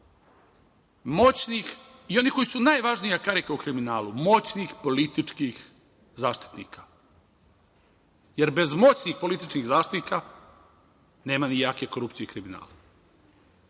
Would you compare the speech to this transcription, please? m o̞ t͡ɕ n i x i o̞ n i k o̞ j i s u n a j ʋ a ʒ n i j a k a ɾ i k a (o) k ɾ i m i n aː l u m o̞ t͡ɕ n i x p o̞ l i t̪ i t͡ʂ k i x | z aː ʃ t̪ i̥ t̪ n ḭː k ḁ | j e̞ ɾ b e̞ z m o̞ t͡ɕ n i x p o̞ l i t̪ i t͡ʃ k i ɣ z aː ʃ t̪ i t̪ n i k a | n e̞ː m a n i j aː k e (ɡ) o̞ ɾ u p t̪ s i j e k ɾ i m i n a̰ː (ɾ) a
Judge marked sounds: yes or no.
no, no, no

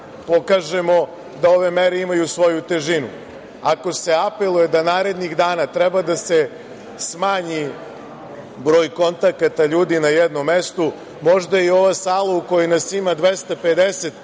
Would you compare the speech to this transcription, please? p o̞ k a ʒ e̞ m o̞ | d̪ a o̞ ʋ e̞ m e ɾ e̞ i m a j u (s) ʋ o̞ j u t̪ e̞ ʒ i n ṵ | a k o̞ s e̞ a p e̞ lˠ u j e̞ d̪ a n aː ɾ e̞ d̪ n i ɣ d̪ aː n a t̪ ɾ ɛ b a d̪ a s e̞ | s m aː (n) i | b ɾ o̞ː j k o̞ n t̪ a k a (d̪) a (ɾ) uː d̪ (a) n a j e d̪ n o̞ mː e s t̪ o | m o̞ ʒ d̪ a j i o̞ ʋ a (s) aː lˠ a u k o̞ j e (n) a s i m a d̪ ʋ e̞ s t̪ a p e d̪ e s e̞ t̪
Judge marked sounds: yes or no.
yes, no, no, no, no, yes, yes

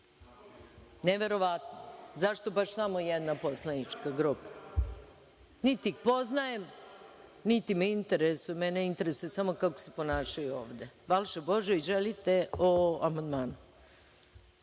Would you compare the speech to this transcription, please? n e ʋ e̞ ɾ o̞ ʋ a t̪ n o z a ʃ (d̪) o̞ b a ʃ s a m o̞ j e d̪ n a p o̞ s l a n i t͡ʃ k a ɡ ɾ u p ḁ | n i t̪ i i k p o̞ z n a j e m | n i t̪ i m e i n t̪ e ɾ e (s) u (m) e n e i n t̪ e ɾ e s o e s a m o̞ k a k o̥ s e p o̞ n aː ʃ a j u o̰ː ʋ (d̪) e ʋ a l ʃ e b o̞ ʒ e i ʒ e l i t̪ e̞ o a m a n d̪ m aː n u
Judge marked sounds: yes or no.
no, yes, yes, yes

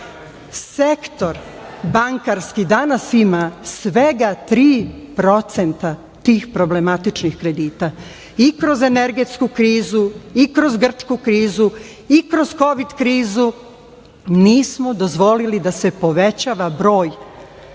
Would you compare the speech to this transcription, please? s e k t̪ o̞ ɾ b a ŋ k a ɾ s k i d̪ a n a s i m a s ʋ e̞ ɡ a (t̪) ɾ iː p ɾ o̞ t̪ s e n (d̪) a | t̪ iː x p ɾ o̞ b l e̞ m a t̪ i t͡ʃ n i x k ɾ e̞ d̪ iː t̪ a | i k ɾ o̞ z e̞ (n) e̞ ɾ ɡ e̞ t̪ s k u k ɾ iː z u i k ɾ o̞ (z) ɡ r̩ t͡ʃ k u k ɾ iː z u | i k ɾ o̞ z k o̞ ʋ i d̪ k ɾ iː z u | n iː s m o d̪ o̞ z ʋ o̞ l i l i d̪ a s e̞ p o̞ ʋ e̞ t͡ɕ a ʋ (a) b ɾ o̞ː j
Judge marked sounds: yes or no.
yes, no, yes, yes, yes

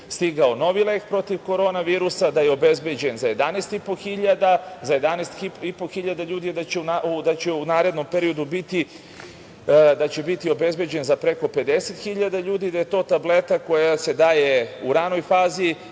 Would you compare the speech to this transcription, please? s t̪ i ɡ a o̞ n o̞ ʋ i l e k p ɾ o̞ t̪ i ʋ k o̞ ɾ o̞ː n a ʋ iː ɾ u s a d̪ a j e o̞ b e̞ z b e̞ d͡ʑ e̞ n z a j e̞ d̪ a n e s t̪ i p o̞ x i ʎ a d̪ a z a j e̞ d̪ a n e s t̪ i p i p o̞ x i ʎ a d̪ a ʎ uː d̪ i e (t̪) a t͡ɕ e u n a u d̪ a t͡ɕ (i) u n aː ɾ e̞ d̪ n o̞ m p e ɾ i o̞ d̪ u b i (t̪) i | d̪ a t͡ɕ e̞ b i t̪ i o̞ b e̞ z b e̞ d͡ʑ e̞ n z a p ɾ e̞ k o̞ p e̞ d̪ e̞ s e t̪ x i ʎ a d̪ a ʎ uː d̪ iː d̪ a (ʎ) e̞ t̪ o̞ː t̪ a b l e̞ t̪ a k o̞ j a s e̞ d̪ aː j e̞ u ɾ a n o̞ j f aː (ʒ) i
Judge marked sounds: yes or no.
no, no, yes, no, no

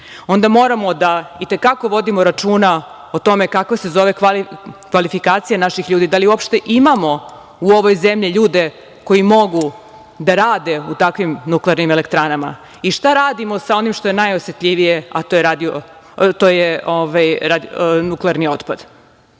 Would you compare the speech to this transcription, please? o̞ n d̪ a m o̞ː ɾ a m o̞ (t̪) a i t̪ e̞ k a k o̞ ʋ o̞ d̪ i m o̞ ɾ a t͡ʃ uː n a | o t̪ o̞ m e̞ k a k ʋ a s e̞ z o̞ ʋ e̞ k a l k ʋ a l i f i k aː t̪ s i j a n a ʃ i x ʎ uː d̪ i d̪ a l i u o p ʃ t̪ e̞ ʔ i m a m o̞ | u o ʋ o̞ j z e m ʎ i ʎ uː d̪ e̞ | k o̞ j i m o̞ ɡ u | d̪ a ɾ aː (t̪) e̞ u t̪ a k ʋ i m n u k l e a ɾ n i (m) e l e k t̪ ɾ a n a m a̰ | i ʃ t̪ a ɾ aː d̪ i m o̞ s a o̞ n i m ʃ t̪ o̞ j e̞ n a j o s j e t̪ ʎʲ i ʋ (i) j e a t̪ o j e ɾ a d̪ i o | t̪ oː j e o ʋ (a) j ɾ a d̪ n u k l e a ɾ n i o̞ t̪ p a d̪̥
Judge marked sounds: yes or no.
no, no, yes, yes, yes

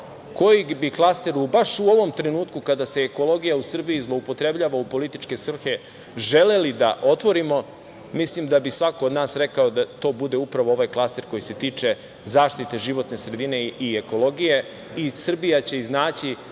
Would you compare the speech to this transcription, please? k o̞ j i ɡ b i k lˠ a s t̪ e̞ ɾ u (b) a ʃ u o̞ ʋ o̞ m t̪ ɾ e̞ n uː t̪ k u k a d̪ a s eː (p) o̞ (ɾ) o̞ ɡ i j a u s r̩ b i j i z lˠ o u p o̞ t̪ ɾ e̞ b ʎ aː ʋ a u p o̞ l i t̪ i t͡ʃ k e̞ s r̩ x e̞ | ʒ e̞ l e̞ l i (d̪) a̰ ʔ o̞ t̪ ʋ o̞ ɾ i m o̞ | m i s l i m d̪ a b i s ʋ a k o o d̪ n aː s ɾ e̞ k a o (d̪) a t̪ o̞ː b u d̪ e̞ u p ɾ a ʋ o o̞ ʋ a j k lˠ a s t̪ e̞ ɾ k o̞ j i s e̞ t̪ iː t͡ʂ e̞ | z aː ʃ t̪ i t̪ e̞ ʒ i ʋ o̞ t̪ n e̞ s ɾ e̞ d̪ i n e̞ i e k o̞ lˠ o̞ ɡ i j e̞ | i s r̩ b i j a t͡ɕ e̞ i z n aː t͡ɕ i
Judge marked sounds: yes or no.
yes, no, no, yes, yes

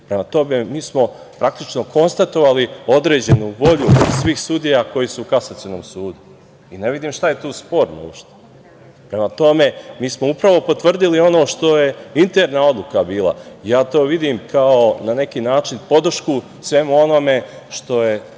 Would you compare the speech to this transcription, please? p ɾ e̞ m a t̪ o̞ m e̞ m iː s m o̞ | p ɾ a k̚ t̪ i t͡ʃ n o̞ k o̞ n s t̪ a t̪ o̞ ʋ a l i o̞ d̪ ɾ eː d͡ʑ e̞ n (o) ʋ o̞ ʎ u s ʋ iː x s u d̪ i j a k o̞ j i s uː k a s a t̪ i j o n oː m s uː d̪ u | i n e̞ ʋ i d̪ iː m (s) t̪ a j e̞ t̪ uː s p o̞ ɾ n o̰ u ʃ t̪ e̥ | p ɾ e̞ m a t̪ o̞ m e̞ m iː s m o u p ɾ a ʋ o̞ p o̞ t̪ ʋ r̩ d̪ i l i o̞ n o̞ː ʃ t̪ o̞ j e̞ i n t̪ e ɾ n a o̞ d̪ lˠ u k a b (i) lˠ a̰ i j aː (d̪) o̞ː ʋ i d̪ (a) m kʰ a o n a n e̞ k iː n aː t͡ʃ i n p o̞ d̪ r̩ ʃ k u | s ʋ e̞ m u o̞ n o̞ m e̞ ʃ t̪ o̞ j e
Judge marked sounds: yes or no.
no, no, no, no, no

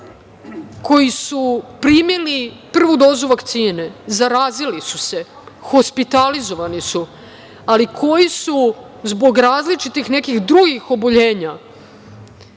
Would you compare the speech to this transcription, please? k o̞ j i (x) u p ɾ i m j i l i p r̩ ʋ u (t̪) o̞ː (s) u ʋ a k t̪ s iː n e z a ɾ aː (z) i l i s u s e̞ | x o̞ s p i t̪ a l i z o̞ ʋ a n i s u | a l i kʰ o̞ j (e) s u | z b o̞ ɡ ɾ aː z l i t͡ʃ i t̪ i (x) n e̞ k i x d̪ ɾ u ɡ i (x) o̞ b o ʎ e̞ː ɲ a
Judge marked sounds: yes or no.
no, no, no, yes, no, yes, yes

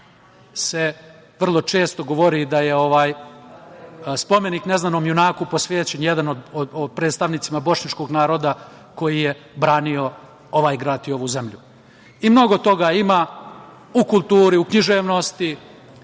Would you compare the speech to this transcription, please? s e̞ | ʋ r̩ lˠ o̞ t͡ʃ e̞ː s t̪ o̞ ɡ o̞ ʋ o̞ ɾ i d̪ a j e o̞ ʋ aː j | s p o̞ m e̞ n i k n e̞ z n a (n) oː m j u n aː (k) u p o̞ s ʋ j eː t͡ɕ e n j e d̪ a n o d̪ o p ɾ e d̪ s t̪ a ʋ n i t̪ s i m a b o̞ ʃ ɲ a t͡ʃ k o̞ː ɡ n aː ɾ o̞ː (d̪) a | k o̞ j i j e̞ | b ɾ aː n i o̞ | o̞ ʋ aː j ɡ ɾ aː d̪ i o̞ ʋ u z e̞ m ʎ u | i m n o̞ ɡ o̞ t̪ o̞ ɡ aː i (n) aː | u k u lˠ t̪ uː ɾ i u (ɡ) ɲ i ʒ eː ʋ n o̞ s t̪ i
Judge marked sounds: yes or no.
yes, yes, yes, no, no

